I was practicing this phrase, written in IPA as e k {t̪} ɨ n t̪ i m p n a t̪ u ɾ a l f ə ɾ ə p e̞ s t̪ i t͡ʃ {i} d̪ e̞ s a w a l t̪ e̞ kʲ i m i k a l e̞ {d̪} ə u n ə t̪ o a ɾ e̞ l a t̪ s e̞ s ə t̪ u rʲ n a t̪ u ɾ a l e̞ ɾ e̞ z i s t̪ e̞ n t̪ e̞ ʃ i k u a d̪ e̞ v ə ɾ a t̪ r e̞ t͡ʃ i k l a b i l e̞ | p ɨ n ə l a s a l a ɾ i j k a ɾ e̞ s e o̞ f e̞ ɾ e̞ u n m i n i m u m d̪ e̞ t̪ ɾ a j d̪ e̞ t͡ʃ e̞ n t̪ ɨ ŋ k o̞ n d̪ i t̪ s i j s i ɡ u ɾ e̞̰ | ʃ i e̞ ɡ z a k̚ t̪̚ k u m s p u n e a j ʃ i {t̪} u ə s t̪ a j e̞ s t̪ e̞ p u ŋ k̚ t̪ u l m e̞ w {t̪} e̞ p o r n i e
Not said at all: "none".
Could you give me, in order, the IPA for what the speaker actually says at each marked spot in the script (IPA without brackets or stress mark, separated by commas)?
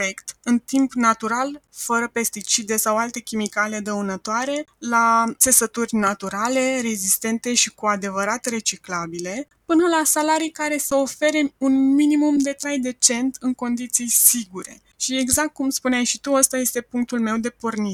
t̪, i, d̪, t̪, d̪